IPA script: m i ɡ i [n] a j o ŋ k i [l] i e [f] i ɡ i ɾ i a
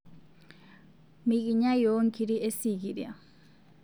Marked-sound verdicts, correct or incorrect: incorrect, incorrect, incorrect

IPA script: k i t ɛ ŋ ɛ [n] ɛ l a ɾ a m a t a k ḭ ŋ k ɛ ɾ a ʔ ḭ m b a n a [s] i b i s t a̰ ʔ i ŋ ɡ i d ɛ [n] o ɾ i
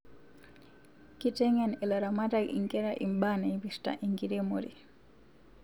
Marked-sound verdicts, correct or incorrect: correct, incorrect, incorrect

